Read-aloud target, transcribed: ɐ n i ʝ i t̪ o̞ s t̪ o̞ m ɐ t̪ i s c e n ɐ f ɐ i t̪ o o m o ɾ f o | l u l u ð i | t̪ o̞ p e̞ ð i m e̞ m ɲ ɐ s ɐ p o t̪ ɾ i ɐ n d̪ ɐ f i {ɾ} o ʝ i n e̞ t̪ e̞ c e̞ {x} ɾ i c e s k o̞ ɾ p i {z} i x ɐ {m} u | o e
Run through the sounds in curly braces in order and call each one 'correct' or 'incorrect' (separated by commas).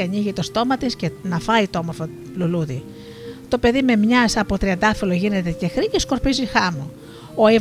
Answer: incorrect, correct, correct, correct